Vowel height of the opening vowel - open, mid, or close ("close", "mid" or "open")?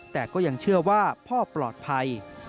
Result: mid